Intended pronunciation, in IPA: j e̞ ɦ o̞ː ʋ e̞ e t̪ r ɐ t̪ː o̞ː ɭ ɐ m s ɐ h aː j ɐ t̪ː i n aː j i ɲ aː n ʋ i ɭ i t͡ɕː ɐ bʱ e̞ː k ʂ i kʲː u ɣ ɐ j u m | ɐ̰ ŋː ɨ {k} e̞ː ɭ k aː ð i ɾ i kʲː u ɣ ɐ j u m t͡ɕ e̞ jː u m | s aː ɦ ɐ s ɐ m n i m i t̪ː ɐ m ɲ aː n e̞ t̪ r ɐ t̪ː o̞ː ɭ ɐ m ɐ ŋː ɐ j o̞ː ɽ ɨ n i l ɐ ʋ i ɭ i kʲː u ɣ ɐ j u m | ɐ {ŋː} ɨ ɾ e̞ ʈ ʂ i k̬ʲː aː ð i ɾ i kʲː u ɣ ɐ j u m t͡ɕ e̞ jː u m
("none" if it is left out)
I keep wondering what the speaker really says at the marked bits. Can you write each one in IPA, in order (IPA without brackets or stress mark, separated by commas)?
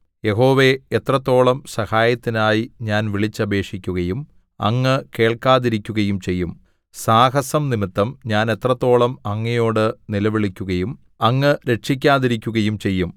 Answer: k, ŋː